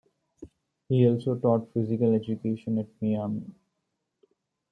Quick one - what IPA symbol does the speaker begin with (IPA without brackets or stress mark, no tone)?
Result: h